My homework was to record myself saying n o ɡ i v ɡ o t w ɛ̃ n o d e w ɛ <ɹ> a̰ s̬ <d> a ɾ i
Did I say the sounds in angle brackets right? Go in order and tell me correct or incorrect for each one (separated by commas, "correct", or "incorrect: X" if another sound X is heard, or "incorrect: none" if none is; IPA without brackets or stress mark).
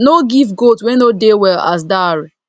incorrect: l, correct